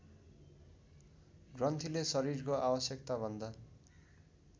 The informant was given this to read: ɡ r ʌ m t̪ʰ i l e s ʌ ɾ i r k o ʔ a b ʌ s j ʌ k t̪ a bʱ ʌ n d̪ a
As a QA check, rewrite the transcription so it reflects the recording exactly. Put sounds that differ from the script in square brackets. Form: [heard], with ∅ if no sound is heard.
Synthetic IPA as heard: ɡ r ʌ [n] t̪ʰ i l e s ʌ ɾ i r k o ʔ a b ʌ s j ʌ k t̪ a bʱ ʌ n d̪ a